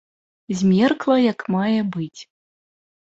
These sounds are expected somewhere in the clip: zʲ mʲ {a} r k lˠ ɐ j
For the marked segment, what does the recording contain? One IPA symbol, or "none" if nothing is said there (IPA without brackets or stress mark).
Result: ɛ